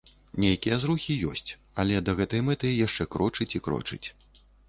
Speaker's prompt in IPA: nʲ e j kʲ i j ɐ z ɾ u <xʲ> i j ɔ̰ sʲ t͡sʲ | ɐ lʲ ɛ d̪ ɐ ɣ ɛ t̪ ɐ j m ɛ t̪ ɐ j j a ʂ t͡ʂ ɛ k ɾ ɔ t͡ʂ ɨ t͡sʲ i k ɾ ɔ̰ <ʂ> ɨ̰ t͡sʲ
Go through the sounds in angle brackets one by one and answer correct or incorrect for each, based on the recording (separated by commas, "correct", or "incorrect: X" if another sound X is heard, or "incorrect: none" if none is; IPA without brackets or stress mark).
correct, incorrect: t͡ʂ